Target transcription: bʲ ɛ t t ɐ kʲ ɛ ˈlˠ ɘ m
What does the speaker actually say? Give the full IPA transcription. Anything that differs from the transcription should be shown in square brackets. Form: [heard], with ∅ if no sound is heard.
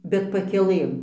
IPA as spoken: bʲ ɛ t [p] ɐ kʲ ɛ ˈlˠ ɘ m